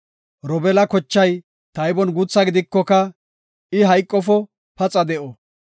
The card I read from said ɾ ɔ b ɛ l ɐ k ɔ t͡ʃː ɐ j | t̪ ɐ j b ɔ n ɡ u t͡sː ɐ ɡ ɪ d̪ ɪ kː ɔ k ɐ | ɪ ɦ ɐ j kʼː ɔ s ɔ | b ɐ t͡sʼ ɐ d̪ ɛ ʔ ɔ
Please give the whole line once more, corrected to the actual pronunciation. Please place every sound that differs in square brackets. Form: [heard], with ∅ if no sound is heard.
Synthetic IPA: ɾ ɔ b ɛ l ɐ k ɔ t͡ʃː ɐ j | t̪ ɐ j b ɔ n ɡ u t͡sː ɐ ɡ ɪ d̪ ɪ kː ɔ k ɐ | ɪ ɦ ɐ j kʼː ɔ [f] ɔ | [p] ɐ t͡sʼ ɐ d̪ ɛ ʔ ɔ